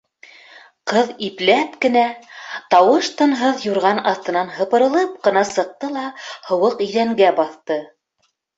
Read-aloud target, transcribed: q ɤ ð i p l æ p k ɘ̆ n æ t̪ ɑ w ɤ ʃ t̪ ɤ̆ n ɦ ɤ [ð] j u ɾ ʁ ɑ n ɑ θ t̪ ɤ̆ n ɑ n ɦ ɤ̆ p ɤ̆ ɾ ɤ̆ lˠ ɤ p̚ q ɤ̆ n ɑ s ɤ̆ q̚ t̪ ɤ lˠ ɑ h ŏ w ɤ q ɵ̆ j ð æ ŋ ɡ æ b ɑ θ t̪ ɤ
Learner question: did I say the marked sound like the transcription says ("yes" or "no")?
yes